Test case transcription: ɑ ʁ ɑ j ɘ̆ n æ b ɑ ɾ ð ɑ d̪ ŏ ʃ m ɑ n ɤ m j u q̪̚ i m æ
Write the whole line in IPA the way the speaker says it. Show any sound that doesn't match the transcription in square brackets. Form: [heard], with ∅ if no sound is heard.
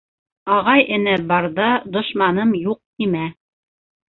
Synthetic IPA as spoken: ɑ ʁ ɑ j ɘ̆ n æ b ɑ ɾ ð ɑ d̪ ŏ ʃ m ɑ n ɤ m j u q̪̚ i m æ